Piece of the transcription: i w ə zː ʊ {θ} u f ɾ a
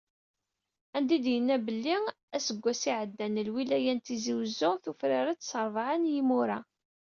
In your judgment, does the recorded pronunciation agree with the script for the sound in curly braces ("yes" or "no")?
yes